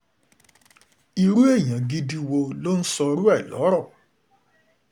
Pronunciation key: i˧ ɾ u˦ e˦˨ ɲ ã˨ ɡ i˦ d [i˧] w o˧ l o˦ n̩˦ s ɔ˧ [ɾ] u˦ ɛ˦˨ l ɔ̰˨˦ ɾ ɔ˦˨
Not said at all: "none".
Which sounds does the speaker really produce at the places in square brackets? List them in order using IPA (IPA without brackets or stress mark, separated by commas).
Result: i˧, ɾ